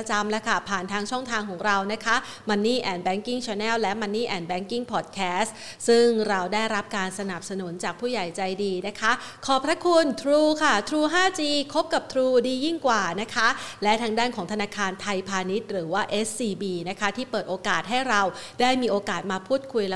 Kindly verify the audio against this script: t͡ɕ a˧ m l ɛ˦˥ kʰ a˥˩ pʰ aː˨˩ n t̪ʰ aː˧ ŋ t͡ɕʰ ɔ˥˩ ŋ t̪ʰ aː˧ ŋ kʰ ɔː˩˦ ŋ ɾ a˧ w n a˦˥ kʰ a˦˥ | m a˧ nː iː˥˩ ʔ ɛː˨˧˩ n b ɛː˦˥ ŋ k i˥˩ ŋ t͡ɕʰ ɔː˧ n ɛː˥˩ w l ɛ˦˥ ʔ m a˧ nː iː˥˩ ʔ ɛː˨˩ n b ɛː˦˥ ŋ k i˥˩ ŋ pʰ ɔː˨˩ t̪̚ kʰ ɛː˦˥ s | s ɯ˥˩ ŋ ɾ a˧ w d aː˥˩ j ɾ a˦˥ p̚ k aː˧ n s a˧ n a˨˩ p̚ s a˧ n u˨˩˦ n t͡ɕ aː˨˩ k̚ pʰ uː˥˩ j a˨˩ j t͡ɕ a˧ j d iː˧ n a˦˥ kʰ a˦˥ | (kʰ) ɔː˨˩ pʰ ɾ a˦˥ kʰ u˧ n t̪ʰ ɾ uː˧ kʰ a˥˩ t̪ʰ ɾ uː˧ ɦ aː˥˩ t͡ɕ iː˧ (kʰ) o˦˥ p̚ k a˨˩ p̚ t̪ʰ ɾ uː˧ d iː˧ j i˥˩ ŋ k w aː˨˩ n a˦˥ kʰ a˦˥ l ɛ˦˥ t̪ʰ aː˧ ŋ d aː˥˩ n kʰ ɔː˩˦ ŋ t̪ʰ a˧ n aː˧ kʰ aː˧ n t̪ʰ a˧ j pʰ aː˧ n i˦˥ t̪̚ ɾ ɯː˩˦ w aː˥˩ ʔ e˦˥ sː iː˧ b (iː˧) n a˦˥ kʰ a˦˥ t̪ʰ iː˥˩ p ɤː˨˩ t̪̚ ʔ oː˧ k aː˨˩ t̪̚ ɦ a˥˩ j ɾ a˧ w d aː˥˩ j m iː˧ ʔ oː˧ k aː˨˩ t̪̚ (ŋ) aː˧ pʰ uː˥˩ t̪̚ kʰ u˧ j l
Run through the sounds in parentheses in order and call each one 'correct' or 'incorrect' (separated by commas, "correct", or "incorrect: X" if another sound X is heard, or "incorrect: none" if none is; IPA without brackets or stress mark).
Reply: correct, correct, correct, incorrect: m